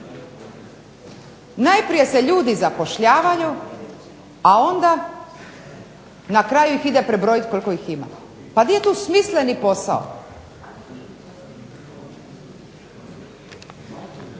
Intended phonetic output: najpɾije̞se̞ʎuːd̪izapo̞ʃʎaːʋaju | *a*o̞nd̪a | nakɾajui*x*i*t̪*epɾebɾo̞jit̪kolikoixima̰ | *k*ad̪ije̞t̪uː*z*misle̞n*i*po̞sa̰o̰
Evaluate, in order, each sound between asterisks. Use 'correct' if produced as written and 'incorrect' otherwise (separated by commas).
correct, correct, incorrect, incorrect, incorrect, correct